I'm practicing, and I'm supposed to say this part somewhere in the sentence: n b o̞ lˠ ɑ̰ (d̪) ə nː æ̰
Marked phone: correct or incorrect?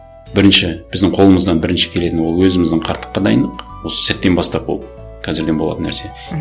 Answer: incorrect